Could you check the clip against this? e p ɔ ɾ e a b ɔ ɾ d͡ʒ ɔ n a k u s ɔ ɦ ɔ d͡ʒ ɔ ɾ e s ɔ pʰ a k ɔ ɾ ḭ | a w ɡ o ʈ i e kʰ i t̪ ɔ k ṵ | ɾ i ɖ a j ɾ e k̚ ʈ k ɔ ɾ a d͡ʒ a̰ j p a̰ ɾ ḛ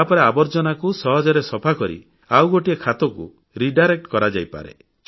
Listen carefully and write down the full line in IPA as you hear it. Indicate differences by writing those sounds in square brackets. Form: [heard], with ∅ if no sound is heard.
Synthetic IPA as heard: [a] p ɔ ɾ e a b ɔ ɾ d͡ʒ ɔ n a k u s ɔ ɦ ɔ d͡ʒ ɔ ɾ e s ɔ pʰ a k ɔ ɾ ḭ | a w ɡ o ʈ i e kʰ [a] t̪ ɔ k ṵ | ɾ i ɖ a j ɾ e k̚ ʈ k ɔ ɾ a d͡ʒ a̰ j p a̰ ɾ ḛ